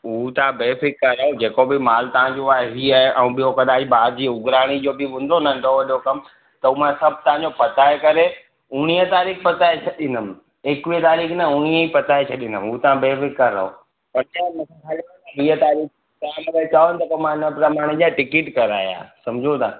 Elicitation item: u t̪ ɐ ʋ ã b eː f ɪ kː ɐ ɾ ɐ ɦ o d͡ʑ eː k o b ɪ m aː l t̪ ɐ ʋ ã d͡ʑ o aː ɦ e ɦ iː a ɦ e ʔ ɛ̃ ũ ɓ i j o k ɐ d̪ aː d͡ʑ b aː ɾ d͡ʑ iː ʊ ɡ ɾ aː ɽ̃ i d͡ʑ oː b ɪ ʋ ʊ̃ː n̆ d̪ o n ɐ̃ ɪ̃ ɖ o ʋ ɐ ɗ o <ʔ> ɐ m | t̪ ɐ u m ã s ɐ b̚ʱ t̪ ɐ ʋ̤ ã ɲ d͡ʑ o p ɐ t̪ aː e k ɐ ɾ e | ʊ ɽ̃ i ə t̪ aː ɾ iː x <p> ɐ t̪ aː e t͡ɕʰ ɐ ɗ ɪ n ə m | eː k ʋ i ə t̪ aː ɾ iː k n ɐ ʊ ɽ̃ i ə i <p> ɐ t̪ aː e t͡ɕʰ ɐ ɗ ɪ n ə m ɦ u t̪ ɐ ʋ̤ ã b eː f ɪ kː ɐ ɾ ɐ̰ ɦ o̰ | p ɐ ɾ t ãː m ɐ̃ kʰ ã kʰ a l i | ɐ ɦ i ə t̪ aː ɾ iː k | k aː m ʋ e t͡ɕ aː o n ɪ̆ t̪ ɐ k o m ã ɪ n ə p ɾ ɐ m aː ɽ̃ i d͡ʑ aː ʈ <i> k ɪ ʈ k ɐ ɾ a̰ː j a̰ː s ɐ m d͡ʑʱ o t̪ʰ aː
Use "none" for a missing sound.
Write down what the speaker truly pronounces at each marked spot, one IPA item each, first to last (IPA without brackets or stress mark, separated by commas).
k, p, p, ɪ